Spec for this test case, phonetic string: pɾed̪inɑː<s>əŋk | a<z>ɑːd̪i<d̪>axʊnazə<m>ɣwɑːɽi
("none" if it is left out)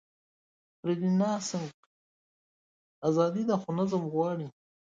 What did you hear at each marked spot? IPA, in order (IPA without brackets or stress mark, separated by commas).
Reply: s, z, d̪, m